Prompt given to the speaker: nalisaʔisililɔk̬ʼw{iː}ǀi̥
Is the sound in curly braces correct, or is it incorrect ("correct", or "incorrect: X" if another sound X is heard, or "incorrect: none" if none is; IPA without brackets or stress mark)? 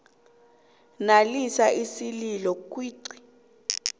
correct